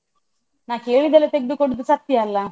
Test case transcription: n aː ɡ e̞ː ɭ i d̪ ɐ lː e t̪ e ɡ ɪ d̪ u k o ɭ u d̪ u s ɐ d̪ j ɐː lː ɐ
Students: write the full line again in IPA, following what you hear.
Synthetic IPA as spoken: n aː k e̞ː ɭ i d̪ ɐ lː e t̪ e ɡ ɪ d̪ u k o ɽ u d̪ u s ɐ t̪ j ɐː lː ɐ